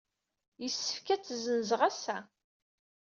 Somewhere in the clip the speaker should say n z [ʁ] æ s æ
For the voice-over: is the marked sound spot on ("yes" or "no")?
yes